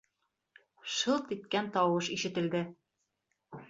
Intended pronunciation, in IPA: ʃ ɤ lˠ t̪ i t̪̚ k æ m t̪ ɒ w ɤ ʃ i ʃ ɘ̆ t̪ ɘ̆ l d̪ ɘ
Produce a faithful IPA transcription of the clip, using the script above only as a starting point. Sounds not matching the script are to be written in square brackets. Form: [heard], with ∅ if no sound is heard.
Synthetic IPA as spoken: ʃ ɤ lˠ t̪ i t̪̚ k æ [n] t̪ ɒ w ɤ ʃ i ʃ ɘ̆ t̪ ɘ̆ l d̪ ɘ